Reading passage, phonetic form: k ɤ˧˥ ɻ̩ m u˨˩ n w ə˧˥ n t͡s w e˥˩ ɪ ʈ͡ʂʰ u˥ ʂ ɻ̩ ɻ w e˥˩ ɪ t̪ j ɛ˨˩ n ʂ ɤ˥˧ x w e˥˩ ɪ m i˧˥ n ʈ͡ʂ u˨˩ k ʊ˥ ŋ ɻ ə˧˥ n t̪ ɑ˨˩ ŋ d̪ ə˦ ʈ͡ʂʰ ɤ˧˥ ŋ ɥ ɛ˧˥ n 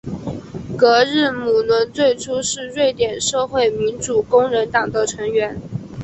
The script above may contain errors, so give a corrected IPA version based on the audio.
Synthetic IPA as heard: k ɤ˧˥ ɻ̩ m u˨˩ n w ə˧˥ n t͡s w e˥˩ ɪ ʈ͡ʂʰ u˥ ʂ ɻ̩ ɻ w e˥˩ ɪ t̪ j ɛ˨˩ n ʂ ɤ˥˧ x w e˥˩ ɪ m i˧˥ n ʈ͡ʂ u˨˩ k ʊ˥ ŋ ɻ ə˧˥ n t̪ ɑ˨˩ ŋ d̪ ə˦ ʈ͡ʂʰ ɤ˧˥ ŋ ɥ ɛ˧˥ n